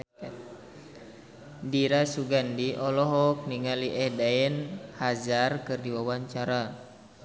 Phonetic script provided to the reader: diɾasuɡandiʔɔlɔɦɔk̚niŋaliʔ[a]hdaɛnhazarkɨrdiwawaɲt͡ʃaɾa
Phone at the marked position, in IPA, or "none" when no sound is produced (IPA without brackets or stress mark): ɛ